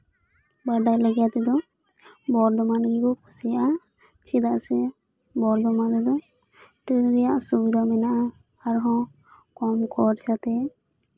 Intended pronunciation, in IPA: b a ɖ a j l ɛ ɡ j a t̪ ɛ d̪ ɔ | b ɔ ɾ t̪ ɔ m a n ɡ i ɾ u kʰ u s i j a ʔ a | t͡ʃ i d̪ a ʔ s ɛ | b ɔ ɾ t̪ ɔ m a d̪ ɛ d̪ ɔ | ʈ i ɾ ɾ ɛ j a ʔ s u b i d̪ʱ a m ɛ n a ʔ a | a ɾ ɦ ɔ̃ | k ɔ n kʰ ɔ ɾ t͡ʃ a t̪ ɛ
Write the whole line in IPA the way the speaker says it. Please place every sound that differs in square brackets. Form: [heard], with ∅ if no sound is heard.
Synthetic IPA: b a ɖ a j l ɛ ɡ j a t̪ ɛ d̪ ɔ | b ɔ ɾ [d̪] ɔ m a n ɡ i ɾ u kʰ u s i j a ʔ a | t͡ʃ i d̪ a ʔ s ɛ | b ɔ ɾ [d̪] ɔ m a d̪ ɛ d̪ ɔ | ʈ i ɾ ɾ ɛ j a ʔ s u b i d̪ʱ a m ɛ n a ʔ a | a ɾ ɦ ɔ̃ | k ɔ [m] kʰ ɔ ɾ t͡ʃ a t̪ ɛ